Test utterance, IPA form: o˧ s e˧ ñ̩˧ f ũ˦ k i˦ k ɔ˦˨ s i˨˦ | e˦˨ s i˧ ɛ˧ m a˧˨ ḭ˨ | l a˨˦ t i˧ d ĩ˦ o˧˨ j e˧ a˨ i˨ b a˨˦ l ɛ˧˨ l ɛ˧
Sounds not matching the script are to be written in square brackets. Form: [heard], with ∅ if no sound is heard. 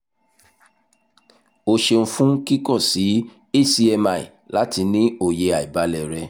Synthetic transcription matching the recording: o˧ [ʃ] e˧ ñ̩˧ f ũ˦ k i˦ k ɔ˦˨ s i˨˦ | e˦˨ s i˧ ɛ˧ m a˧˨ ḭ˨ | l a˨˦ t i˧ [n] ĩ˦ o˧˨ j e˧ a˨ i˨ b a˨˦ l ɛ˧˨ [ɾ] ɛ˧